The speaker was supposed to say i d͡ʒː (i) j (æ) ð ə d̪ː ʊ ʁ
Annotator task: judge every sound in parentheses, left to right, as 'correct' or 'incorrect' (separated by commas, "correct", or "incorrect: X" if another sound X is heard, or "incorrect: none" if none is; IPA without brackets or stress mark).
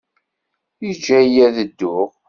incorrect: æ, correct